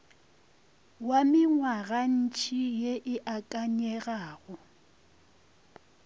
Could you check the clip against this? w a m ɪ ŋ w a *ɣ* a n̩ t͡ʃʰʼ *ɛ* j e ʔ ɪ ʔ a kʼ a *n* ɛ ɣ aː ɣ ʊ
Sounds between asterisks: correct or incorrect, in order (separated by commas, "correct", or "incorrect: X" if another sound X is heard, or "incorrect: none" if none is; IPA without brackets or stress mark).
correct, incorrect: i, incorrect: ɲ